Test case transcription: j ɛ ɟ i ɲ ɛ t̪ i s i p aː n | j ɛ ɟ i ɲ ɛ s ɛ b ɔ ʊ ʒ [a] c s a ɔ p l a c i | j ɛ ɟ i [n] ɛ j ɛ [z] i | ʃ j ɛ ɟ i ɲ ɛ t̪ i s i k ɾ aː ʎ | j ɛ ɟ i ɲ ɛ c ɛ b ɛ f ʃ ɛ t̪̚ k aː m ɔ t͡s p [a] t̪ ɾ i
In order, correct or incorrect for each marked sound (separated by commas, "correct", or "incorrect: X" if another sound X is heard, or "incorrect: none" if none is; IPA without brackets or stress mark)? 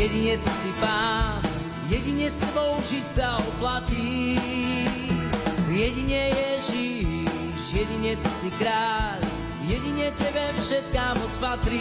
incorrect: i, incorrect: ɲ, incorrect: ʒ, correct